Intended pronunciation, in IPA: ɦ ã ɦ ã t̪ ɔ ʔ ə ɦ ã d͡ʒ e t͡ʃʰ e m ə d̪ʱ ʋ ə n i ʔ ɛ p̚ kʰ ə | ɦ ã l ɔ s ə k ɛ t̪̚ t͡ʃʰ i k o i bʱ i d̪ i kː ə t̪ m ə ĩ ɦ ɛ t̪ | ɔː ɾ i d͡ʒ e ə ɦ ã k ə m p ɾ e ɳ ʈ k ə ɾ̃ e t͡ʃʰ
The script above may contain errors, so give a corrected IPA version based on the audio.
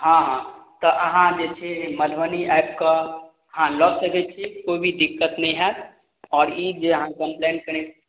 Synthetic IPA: ɦ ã ɦ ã t̪ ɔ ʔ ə ɦ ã d͡ʒ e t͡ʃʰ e m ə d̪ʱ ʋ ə n i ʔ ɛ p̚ k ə | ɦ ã l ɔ s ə k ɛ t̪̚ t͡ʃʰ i k o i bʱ i d̪ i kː ə t̪ n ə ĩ ɦ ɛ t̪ | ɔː ɾ i d͡ʒ e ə ɦ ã k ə m p l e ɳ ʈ k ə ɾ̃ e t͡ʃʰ